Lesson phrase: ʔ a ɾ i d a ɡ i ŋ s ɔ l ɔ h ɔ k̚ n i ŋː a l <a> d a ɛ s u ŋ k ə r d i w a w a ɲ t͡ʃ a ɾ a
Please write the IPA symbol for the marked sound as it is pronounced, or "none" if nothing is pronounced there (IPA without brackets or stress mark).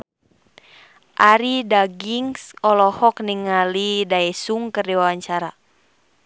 i